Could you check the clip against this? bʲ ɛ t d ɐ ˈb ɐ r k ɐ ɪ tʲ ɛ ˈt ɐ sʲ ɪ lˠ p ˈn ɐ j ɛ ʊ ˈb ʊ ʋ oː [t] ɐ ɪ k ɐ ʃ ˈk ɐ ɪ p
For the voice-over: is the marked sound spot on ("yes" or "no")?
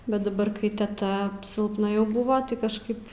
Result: yes